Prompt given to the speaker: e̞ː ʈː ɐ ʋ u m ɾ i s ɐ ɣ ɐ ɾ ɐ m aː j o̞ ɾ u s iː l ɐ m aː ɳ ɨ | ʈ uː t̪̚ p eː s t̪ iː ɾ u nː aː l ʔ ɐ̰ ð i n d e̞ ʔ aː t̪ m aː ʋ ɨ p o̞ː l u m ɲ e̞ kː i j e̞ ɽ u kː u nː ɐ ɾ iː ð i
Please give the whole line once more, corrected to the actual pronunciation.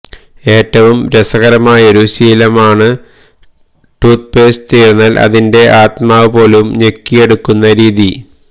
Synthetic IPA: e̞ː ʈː ɐ ʋ u m ɾ e s ɐ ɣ ɐ ɾ ɐ m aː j o̞ ɾ u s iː l ɐ m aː ɳ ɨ | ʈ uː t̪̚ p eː s t̪ iː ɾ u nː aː l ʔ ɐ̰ ð i n d e̞ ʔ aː t̪ m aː ʋ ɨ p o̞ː l u m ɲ e̞ kː i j e̞ ɽ u kː u nː ɐ ɾ iː ð i